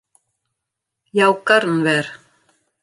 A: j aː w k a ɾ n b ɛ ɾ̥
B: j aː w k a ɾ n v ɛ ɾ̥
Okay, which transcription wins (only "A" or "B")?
B